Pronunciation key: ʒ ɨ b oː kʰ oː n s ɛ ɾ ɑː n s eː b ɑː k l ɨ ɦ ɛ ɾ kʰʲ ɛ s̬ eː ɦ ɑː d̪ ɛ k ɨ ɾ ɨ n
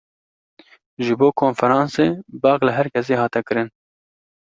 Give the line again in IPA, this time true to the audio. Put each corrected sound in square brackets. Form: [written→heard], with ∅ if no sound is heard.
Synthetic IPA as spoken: ʒ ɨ b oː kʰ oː n [s→f] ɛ ɾ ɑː n s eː b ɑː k l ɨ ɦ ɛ ɾ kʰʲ ɛ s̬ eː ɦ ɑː [d̪→t̪] ɛ k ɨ ɾ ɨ n